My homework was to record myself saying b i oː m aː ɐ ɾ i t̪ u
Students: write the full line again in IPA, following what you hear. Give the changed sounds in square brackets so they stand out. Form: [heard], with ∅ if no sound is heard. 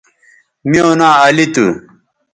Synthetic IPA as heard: [m] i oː [n] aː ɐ [l] i t̪ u